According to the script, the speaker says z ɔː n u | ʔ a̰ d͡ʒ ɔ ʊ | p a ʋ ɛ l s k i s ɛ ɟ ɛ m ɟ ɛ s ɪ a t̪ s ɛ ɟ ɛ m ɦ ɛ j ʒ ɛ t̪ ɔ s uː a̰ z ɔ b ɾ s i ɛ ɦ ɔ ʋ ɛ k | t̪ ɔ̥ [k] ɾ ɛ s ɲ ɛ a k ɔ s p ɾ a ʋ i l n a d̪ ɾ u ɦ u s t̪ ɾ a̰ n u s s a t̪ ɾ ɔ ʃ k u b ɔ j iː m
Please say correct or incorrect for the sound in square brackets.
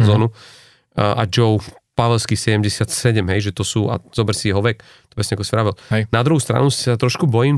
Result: incorrect